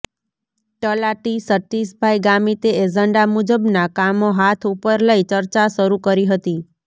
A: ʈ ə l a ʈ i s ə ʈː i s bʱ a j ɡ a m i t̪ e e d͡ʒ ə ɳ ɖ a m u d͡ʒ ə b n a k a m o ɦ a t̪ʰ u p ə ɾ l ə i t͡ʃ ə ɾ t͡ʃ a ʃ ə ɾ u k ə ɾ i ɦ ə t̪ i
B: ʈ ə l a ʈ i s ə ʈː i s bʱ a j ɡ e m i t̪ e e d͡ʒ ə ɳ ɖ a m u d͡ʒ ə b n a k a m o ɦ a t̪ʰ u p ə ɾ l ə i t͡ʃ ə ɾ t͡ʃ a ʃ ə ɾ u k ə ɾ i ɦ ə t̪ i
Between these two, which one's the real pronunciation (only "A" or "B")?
A